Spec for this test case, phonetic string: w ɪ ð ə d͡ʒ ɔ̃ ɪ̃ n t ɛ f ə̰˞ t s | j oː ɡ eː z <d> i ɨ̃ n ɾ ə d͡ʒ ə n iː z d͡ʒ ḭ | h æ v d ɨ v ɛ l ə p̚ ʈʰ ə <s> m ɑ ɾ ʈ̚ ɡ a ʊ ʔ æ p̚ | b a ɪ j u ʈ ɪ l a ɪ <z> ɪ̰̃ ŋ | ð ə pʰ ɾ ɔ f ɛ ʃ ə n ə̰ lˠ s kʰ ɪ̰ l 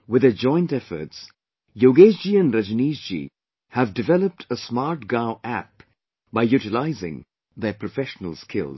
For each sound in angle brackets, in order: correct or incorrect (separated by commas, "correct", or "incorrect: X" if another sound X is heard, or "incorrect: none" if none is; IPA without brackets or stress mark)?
incorrect: d͡ʒ, correct, correct